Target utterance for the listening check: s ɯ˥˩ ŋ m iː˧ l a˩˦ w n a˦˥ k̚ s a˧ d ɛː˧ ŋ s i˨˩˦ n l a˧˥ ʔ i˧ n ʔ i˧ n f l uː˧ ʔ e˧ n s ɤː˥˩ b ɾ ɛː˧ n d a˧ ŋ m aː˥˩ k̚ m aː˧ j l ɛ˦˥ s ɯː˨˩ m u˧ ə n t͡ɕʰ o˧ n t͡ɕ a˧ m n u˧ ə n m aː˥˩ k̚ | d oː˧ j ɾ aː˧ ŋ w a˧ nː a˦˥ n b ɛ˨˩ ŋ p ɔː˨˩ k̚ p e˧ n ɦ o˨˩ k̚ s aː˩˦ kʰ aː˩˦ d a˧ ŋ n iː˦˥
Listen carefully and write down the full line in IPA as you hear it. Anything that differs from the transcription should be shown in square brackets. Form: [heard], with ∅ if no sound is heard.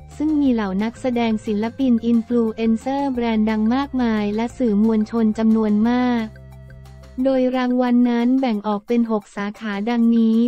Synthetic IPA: s ɯ˥˩ ŋ m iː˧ l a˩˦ w n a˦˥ k̚ s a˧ d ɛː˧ ŋ s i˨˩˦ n l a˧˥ [p] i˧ n ʔ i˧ n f l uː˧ ʔ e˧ n s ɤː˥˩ b ɾ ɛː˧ n d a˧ ŋ m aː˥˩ k̚ m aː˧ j l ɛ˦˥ s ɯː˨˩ m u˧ ə n t͡ɕʰ o˧ n t͡ɕ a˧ m n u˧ ə n m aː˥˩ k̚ | d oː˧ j ɾ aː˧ ŋ w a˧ nː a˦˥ n b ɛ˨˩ ŋ [ʔ] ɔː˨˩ k̚ p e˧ n ɦ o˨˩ k̚ s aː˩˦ kʰ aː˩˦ d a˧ ŋ n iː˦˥